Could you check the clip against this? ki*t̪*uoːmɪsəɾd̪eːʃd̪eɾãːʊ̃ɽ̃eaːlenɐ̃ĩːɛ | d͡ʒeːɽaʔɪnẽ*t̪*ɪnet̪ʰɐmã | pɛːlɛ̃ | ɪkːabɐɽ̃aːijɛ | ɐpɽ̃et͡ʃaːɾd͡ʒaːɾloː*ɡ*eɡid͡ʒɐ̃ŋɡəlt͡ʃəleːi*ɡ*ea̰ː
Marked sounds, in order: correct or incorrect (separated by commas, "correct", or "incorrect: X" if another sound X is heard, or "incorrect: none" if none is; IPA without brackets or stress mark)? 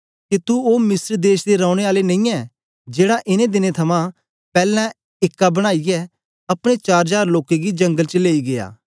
correct, incorrect: d̪, incorrect: k, correct